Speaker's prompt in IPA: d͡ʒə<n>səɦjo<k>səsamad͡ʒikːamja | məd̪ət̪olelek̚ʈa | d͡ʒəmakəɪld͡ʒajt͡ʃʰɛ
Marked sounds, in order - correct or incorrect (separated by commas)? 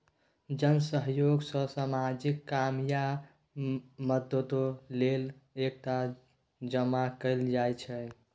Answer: correct, incorrect